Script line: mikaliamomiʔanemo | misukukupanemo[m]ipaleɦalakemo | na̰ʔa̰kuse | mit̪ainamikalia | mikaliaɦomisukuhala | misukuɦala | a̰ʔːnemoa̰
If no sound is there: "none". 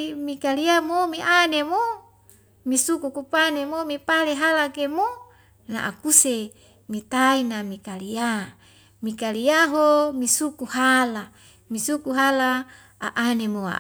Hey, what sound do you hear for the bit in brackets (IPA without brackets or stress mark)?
m